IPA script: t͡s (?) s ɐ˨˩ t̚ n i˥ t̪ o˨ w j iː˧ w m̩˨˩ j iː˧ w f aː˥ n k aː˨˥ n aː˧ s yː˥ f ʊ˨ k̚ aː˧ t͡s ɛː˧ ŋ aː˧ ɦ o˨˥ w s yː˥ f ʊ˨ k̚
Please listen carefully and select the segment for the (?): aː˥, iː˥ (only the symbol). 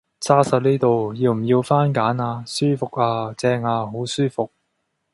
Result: aː˥